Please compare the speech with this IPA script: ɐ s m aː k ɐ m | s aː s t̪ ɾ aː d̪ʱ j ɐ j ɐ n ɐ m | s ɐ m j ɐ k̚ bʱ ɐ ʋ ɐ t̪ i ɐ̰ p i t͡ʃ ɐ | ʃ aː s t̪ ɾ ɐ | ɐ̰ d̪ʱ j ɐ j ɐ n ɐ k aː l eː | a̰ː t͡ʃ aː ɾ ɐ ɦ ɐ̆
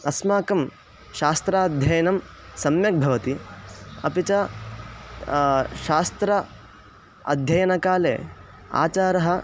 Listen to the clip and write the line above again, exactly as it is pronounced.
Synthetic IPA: ɐ s m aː k ɐ m | ʃ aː s t̪ ɾ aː d̪ʱ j ɐ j ɐ n ɐ m | s ɐ m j ɐ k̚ bʱ ɐ ʋ ɐ t̪ i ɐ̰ p i t͡ʃ ɐ | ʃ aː s t̪ ɾ ɐ | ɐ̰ d̪ʱ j ɐ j ɐ n ɐ k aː l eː | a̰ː t͡ʃ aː ɾ ɐ ɦ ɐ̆

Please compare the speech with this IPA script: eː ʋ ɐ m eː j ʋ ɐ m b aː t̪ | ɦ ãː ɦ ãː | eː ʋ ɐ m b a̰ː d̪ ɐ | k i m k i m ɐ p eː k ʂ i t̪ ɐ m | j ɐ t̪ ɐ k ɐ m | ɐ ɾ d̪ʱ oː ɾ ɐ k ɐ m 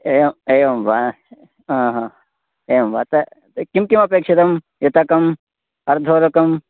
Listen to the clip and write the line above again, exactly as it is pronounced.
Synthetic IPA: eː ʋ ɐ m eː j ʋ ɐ m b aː | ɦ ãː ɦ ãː | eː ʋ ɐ m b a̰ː t̪ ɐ | k i m k i m ɐ p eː k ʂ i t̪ ɐ m | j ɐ t̪ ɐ k ɐ m | ɐ ɾ d̪ʱ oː ɾ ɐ k ɐ m

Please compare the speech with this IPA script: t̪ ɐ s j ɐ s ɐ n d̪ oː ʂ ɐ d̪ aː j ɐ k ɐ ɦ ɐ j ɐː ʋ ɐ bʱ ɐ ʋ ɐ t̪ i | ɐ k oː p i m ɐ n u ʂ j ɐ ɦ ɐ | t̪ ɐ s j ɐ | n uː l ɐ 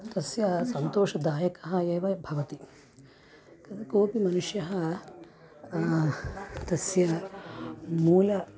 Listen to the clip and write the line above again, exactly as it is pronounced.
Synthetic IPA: t̪ ɐ s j ɐ s ɐ n t̪ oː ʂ ɐ d̪ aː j ɐ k ɐ ɦ ɐ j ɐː ʋ ɐ bʱ ɐ ʋ ɐ t̪ i | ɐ k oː p i m ɐ n u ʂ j ɐ ɦ ɐ | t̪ ɐ s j ɐ | m uː l ɐ

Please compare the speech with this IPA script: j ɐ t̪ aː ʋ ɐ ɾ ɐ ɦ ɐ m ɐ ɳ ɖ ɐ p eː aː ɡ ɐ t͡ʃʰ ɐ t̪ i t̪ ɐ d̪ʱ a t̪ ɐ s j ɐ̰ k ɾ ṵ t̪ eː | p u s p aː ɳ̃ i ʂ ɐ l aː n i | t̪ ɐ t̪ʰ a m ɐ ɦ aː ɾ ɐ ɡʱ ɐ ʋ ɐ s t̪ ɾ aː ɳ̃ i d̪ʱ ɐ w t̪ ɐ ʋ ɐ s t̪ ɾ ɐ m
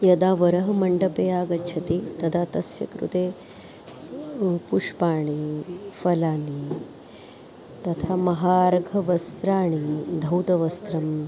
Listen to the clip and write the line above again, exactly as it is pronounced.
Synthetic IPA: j ɐ d̪ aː ʋ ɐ ɾ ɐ ɦ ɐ m ɐ ɳ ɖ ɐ p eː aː ɡ ɐ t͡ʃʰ ɐ t̪ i t̪ ɐ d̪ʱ a t̪ ɐ s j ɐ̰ k ɾ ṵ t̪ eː | p u ʂ p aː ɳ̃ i f ɐ l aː n i | t̪ ɐ t̪ʰ a m ɐ ɦ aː ɾ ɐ ɡʱ ɐ ʋ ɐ s t̪ ɾ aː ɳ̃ i d̪ʱ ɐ w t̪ ɐ ʋ ɐ s t̪ ɾ ɐ m

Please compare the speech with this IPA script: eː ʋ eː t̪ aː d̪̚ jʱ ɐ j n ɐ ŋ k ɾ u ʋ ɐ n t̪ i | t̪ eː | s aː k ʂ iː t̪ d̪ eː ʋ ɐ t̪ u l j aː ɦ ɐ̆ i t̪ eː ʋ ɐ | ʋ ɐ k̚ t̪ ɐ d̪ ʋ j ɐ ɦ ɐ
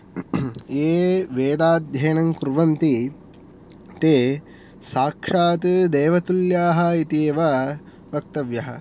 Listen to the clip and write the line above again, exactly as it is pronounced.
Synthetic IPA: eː ʋ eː d̪ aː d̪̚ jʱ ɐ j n ɐ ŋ k ɾ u ʋ ɐ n t̪ i | t̪ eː | s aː k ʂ aː t̪ d̪ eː ʋ ɐ t̪ u l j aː ɦ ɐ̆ i t̪ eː ʋ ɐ | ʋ ɐ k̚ t̪ ɐ ʋ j ɐ ɦ ɐ

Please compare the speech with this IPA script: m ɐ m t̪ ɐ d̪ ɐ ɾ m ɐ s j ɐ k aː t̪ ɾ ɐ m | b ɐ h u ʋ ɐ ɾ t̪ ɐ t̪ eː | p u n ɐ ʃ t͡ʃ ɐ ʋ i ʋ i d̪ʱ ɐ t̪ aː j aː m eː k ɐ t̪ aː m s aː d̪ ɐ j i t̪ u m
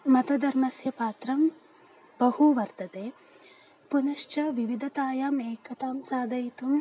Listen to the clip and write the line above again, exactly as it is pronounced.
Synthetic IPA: m ɐ t̪ ɐ d̪ ɐ ɾ m ɐ s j ɐ p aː t̪ ɾ ɐ m | b ɐ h u ʋ ɐ ɾ t̪ ɐ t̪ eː | p u n ɐ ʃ t͡ʃ ɐ ʋ i ʋ i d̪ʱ ɐ t̪ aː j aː m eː k ɐ t̪ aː m s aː d̪ ɐ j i t̪ u m

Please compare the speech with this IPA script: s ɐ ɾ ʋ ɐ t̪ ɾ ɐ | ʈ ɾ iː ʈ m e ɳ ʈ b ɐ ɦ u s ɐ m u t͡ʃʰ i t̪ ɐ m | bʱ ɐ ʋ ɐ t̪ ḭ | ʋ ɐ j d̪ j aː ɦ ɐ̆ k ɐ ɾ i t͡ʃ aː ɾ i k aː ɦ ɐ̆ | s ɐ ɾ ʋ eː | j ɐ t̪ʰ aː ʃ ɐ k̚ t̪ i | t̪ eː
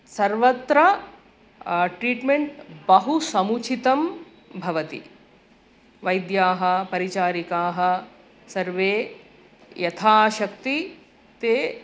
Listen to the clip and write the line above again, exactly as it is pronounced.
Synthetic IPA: s ɐ ɾ ʋ ɐ t̪ ɾ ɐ | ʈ ɾ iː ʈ m e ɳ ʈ b ɐ ɦ u s ɐ m u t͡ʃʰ i t̪ ɐ m | bʱ ɐ ʋ ɐ t̪ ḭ | ʋ ɐ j d̪ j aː ɦ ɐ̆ p ɐ ɾ i t͡ʃ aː ɾ i k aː ɦ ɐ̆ | s ɐ ɾ ʋ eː | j ɐ t̪ʰ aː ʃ ɐ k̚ t̪ i | t̪ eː

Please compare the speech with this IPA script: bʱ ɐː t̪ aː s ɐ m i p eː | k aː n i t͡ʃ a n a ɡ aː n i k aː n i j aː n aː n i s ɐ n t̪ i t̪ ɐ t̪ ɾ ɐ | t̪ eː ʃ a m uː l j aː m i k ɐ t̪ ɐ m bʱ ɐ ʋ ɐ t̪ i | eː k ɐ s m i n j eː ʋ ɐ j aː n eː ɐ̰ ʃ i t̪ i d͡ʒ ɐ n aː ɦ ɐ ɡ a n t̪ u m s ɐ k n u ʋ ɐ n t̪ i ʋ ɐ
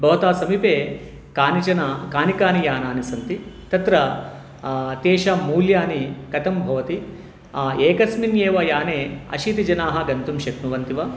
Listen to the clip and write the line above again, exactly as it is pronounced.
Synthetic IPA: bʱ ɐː t̪ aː s ɐ m i p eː | k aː n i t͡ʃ ɐ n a k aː n i k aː n i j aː n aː n i s ɐ n t̪ i t̪ ɐ t̪ ɾ ɐ | t̪ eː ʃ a m uː l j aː n i k ɐ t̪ ɐ m bʱ ɐ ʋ ɐ t̪ i | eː k ɐ s m i n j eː ʋ ɐ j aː n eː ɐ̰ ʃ i t̪ i d͡ʒ ɐ n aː ɦ ɐ ɡ ɐ n t̪ u m ʃ ɐ k n u ʋ ɐ n t̪ i ʋ ɐ

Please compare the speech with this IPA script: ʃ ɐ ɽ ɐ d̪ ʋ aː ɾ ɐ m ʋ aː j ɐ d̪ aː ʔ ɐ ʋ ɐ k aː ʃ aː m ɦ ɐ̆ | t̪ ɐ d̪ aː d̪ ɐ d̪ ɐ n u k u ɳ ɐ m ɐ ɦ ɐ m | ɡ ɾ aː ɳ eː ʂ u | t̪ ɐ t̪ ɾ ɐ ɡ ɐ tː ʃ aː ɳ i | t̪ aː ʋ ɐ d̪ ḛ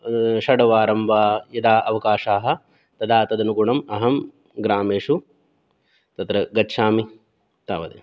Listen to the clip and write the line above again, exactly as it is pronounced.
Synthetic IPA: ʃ ɐ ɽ ɐ ʋ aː ɾ ɐ m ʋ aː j ɐ d̪ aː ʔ ɐ ʋ ɐ k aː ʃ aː ɦ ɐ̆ | t̪ ɐ d̪ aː t̪ ɐ d̪ ɐ n u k u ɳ ɐ m ɐ ɦ ɐ m | ɡ ɾ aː m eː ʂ u | t̪ ɐ t̪ ɾ ɐ ɡ ɐ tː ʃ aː m i | t̪ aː ʋ ɐ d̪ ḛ

